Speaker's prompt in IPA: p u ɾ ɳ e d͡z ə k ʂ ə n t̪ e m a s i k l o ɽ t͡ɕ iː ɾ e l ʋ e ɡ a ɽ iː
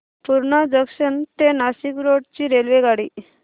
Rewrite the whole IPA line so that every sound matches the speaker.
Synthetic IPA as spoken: p u ɾ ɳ a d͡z ə k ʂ ə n t̪ e n a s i k ɾ o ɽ t͡ɕ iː ɾ e l ʋ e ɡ a ɽ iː